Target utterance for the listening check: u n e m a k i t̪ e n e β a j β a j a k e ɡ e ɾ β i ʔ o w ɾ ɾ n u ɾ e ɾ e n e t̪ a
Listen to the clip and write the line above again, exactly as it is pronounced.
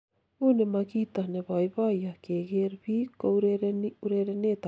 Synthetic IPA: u n e m a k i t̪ a n e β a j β a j a k e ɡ e ɾ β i k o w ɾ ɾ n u ɾ e ɾ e n e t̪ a